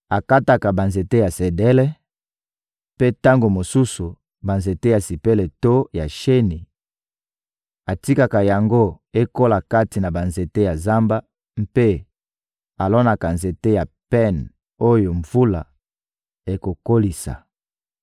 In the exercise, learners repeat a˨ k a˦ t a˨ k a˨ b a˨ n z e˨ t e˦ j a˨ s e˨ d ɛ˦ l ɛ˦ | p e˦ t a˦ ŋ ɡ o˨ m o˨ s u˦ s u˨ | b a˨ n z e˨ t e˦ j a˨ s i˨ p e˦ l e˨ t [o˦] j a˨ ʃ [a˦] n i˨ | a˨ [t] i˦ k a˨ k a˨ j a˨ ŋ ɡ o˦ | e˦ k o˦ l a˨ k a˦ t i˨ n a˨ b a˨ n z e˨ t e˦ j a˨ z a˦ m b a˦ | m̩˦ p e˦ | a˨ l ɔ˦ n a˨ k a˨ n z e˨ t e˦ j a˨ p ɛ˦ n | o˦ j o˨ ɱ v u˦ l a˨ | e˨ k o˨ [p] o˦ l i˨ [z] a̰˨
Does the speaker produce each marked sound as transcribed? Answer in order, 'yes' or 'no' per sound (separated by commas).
yes, no, yes, no, no